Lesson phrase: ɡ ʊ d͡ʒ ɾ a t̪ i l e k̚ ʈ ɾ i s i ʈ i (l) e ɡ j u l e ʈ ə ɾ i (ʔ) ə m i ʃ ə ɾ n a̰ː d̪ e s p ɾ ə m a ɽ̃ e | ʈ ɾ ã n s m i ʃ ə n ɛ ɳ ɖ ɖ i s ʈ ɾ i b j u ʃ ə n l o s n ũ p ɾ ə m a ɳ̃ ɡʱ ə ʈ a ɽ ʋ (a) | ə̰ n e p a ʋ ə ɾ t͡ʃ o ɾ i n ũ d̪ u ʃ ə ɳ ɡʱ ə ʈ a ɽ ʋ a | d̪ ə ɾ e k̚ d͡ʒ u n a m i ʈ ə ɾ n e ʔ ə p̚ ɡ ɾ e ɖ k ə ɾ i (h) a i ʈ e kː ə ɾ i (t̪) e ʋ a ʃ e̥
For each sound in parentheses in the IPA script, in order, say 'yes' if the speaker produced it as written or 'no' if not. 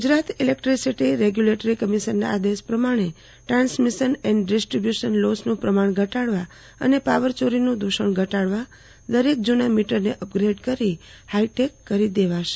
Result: no, no, yes, yes, no

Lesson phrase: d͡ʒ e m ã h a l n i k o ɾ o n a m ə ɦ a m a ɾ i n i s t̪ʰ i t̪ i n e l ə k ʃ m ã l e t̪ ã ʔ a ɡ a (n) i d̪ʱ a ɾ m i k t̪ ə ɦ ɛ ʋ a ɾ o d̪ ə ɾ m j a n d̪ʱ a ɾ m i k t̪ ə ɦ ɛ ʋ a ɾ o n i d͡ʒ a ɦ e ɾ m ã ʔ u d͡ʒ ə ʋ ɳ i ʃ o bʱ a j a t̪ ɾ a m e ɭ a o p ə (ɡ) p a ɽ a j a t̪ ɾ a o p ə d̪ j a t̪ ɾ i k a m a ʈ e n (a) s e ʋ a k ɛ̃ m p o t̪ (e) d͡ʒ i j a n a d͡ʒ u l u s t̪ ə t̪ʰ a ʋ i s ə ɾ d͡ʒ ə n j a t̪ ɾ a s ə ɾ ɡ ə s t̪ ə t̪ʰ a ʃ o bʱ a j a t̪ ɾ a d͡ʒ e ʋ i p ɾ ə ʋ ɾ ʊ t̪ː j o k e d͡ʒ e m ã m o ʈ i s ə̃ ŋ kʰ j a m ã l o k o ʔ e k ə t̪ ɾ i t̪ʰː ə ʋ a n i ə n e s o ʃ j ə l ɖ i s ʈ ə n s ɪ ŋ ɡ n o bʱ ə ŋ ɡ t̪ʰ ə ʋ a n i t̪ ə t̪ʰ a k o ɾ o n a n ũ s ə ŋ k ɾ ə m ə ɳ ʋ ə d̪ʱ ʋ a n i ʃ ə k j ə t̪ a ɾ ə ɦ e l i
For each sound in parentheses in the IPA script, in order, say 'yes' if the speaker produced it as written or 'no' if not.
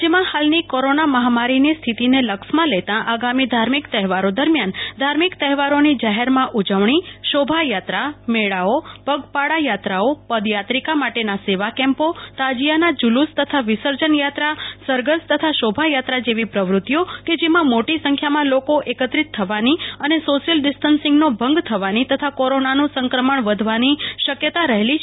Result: no, yes, yes, no

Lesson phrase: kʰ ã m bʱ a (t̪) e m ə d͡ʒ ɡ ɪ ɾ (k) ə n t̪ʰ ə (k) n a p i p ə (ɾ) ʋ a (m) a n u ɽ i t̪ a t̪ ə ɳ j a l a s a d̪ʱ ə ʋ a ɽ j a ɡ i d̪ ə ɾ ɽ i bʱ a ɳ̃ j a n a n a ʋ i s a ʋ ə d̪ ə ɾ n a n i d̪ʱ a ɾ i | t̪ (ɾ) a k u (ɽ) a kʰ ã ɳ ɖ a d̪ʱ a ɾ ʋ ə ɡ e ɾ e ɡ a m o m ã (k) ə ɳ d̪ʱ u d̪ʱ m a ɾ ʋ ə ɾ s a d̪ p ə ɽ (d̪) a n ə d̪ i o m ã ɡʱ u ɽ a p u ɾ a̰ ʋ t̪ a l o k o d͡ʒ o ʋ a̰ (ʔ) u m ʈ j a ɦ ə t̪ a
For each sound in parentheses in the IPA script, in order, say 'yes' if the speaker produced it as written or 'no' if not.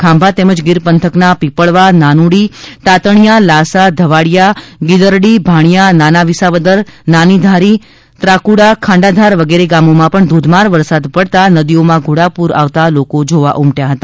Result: yes, no, yes, no, no, yes, yes, no, no, yes

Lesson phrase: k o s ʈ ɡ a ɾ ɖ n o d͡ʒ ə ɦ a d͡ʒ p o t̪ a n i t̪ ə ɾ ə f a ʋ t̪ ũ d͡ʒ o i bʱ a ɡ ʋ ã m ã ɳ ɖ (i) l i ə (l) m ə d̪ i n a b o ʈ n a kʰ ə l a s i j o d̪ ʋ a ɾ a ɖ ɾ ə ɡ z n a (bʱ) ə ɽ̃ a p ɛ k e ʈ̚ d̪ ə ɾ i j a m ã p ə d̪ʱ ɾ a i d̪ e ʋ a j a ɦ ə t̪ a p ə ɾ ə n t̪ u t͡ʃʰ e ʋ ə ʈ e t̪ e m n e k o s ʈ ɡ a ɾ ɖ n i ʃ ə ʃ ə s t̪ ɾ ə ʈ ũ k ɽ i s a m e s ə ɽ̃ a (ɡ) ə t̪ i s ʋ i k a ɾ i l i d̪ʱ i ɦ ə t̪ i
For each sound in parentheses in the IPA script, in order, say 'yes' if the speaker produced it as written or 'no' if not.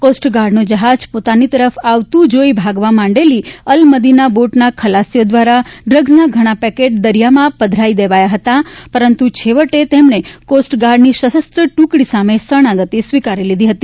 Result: no, yes, no, yes

